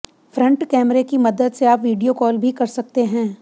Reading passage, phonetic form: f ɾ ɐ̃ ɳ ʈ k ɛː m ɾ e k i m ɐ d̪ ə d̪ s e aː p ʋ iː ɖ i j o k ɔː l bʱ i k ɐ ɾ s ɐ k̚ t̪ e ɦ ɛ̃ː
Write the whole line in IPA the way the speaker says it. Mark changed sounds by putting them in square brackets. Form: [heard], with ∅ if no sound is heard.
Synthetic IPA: f ɾ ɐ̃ ɳ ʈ k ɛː m ɾ e k i m ɐ d̪ ə d̪ s e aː p ʋ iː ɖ i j o k ɔː l bʱ i k ɐ ɾ s ɐ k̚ t̪ e ɦ ɛ̃ː

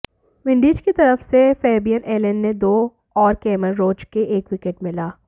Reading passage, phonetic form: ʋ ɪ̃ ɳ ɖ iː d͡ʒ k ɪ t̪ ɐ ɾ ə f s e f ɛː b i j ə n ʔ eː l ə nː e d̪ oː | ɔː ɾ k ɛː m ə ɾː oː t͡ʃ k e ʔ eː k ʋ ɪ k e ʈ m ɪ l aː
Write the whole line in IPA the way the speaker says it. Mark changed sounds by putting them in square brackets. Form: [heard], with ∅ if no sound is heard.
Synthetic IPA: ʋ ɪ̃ ɳ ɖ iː d͡ʒ k [i] t̪ ɐ ɾ ə f s e f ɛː b i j ə n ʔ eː l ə nː e d̪ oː | ɔː ɾ k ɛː m ə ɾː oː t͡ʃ k e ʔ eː k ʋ ɪ k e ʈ m ɪ l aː

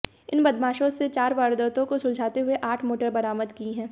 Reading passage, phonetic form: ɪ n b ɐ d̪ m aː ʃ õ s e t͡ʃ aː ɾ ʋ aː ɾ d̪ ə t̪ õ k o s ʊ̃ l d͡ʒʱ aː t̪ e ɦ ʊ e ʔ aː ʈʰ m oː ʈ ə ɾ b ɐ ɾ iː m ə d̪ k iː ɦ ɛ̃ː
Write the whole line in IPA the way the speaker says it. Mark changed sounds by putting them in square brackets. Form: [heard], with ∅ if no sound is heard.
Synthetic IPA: ɪ n b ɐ d̪ m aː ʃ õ s e t͡ʃ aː ɾ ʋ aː ɾ d̪ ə t̪ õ k o s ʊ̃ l d͡ʒʱ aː t̪ e ɦ ʊ e ʔ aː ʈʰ m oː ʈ ə ɾ b ɐ ɾ [aː] m ə d̪ k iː ɦ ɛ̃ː

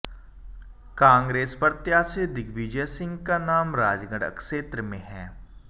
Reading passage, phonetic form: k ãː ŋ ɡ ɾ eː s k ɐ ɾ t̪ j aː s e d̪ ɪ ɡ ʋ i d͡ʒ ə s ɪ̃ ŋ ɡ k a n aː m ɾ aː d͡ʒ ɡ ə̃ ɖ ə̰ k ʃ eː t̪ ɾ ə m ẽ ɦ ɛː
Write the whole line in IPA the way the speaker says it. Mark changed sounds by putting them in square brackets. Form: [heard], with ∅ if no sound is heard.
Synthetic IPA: k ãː ŋ ɡ ɾ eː s [p] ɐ ɾ t̪ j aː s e d̪ ɪ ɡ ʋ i d͡ʒ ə s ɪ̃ ŋ ɡ k a n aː m ɾ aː d͡ʒ ɡ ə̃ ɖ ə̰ k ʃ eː t̪ ɾ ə m ẽ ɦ ɛː

